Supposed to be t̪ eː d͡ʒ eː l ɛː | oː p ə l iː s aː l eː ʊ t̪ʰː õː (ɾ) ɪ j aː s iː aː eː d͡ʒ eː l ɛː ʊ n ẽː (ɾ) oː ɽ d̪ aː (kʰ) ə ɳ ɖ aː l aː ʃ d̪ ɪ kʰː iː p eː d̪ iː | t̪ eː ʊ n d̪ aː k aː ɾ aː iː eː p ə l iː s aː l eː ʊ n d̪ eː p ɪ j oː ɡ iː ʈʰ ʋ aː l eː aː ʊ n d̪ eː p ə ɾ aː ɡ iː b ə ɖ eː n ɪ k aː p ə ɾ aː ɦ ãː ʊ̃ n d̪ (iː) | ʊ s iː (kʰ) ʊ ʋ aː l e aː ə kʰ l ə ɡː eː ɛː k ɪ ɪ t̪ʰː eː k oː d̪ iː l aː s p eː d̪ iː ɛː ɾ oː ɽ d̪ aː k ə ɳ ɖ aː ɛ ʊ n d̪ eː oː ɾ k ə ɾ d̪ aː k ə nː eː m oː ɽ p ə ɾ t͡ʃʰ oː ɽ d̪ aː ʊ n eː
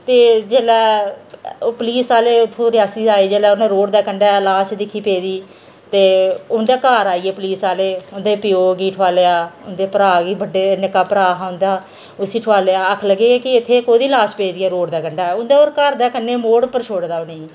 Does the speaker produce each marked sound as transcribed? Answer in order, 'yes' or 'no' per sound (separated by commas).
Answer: yes, yes, no, no, no